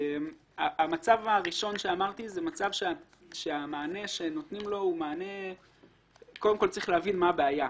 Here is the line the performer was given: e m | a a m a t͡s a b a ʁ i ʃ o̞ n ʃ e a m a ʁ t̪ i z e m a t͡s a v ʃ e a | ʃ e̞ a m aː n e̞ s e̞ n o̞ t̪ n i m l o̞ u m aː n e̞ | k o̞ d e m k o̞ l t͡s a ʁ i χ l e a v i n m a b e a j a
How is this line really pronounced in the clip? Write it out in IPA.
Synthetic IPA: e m | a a m a t͡s a v a ʁ i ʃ o̞ n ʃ e a m a ʁ t̪ i z e m a t͡s a v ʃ e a | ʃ e̞ a m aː n e̞ ʃ e̞ n o̞ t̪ n i m l o̞ u m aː n e̞ | k o̞ d e m k o̞ l t͡s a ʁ i χ l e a v i n m a b e a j a